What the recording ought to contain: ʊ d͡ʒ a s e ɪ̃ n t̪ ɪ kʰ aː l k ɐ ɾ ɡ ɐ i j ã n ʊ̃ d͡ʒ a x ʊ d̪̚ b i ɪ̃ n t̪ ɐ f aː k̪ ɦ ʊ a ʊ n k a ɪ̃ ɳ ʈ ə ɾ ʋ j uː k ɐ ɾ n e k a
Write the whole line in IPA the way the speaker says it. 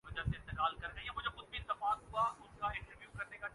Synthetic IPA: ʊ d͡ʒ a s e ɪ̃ n t̪ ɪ k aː l k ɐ ɾ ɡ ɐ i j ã m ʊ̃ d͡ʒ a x ʊ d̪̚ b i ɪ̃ n t̪ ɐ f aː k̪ ɦ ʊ a ʊ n k a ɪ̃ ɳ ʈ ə ɾ ʋ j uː k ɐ ɾ n e k a